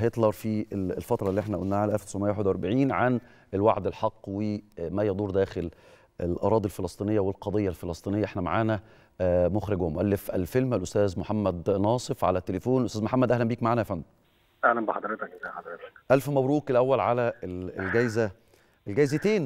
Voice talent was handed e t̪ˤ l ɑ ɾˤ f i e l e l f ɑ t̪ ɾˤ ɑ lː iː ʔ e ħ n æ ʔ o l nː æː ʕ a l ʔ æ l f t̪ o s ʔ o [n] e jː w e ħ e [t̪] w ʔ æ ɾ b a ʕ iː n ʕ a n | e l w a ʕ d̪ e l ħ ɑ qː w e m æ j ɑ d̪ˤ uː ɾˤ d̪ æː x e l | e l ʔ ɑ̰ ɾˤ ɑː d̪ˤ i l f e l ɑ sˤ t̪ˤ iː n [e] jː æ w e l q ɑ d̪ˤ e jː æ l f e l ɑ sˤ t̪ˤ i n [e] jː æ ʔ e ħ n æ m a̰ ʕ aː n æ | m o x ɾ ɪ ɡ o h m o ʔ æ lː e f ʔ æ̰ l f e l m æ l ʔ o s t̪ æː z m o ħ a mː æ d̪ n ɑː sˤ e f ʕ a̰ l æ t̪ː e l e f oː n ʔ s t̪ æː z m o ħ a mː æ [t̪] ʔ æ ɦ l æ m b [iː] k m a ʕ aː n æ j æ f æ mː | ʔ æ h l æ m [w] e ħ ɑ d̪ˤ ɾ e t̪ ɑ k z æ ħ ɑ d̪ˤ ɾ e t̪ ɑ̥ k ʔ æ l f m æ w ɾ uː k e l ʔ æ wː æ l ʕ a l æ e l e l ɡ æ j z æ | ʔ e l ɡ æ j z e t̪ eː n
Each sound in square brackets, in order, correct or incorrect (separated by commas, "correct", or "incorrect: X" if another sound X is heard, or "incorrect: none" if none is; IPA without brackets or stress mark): incorrect: m, incorrect: d̪, correct, correct, incorrect: d̪, correct, incorrect: b